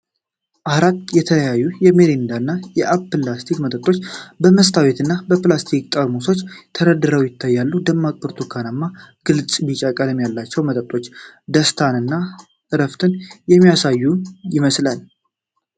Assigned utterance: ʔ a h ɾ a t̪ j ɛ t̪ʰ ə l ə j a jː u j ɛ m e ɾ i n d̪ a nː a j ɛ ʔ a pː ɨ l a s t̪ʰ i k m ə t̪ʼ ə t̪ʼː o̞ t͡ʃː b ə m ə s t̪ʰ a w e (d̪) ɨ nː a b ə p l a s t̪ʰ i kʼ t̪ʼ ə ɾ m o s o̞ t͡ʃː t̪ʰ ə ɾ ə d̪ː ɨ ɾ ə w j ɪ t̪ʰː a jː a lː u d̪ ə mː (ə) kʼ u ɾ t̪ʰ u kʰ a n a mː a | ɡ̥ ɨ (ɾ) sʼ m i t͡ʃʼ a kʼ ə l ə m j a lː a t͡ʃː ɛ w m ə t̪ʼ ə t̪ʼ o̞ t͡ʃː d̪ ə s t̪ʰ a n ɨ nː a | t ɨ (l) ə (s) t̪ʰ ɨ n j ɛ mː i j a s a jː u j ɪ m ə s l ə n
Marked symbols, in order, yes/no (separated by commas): no, no, no, no, no